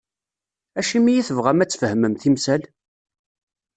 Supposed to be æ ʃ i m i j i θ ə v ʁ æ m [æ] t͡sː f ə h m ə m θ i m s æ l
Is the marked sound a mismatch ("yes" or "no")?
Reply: no